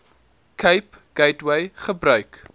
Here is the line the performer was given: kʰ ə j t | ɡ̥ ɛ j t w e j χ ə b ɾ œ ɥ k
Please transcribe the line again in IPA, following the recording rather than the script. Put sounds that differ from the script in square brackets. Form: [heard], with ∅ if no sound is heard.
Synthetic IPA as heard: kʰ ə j [p] | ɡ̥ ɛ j t w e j χ ə b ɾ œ ɥ k